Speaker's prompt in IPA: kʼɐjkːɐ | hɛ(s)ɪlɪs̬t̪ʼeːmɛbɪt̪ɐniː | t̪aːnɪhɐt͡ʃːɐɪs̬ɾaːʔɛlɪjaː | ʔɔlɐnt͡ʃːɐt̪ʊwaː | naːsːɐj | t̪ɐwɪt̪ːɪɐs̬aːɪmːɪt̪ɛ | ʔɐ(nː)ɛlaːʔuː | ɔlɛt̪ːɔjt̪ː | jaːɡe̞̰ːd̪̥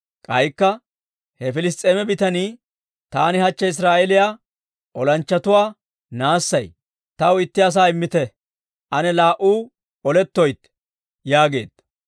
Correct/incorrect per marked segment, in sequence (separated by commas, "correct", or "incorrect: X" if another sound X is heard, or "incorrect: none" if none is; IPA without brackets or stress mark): incorrect: f, incorrect: n